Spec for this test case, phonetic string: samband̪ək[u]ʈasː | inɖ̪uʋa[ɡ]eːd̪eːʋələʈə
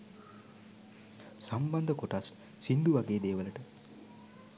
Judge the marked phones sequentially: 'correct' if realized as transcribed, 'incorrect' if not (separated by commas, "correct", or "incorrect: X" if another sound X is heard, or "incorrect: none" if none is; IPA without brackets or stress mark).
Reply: incorrect: o, correct